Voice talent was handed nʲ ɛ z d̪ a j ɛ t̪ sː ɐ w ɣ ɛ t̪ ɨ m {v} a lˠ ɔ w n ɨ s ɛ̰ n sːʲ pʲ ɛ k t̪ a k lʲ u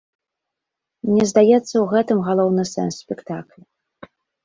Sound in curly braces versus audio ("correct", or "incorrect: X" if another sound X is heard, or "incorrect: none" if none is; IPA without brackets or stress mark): incorrect: ɣ